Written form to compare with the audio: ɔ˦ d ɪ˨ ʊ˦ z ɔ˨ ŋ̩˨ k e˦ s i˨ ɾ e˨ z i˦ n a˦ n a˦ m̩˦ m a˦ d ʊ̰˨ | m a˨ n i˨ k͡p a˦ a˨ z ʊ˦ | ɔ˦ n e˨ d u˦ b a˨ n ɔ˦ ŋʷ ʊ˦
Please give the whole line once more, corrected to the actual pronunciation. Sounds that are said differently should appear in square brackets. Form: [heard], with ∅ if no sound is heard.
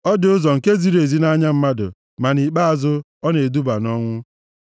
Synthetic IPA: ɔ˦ d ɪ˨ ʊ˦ z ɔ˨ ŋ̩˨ k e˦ [z] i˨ ɾ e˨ z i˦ n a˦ [ɲ] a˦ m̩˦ m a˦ d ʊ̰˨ | m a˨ n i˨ k͡p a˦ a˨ z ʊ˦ | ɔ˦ n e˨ d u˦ b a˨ n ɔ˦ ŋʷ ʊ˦